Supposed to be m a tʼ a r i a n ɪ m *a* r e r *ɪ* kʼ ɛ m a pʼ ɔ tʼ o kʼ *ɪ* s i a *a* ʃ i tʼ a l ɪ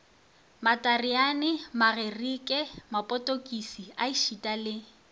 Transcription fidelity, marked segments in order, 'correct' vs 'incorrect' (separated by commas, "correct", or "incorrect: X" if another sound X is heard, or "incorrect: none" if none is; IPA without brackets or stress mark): correct, incorrect: i, incorrect: i, incorrect: i